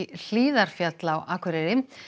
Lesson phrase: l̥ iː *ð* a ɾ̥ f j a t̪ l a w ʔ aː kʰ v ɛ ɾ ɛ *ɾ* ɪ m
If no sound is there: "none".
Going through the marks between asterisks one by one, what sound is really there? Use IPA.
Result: ð, ɾ

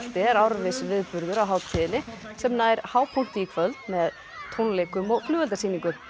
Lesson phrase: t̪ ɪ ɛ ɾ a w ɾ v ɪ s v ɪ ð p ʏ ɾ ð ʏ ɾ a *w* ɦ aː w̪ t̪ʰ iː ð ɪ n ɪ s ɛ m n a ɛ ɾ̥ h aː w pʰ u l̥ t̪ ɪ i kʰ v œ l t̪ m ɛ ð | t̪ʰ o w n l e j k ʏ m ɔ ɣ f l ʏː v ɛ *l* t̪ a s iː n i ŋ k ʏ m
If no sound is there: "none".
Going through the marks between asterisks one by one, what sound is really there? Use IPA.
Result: w, l

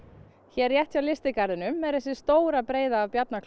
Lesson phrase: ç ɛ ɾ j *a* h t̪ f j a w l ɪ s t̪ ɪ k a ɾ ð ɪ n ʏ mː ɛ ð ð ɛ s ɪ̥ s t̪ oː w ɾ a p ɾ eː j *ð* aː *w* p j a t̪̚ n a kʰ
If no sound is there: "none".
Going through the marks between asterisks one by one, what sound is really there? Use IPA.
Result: ɛ, ð, v

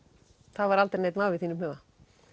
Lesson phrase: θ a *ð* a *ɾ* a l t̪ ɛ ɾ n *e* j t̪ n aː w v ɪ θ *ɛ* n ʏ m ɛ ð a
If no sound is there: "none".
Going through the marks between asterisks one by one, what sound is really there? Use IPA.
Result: v, ɾ, e, i

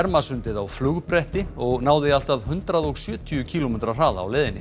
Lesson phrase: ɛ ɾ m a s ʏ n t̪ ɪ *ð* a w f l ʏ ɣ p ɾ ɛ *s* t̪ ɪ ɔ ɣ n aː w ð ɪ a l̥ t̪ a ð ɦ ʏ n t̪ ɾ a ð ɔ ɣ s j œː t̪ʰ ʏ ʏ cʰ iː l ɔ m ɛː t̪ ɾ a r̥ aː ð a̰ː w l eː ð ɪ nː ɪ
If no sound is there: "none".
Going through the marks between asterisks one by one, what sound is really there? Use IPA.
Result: ð, h

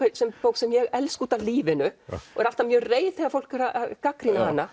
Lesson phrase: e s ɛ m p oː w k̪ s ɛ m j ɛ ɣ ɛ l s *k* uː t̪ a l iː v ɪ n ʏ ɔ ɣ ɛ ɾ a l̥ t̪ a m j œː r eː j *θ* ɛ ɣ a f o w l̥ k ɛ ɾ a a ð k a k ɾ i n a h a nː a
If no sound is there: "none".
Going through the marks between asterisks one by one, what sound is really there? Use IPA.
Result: k, θ

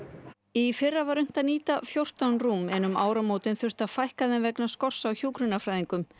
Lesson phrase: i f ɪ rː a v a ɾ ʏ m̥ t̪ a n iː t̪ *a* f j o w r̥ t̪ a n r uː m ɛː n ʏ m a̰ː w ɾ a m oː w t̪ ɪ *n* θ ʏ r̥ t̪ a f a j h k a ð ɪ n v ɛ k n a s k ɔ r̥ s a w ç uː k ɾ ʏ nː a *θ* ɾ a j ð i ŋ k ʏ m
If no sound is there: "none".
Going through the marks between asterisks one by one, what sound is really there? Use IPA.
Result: a, n, f

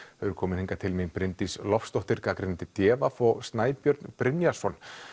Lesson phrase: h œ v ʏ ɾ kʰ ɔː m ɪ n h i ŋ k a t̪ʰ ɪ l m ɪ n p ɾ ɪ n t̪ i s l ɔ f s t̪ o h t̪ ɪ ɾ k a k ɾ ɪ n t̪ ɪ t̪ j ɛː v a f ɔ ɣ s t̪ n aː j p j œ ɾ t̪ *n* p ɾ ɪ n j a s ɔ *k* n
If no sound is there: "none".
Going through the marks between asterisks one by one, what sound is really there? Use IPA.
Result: n, none

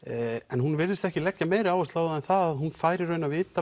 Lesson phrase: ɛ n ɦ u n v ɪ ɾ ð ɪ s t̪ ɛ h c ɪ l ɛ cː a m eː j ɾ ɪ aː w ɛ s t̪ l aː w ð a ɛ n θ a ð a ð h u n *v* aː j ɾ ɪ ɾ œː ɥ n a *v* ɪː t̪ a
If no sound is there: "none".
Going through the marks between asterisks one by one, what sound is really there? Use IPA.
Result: f, v

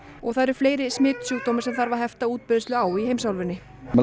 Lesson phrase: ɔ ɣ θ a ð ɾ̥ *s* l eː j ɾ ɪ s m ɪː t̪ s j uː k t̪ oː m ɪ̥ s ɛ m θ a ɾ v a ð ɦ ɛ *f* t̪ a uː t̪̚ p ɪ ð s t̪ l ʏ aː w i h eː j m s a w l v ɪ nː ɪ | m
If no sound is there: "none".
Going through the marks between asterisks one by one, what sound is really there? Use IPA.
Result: f, f

